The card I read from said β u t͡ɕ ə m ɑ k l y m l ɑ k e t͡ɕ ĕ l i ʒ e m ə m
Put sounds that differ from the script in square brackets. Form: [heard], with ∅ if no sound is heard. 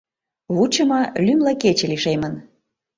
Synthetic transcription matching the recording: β u t͡ɕ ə m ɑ [∅] l y m l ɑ k e t͡ɕ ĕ l i [ʃ] e m ə [n]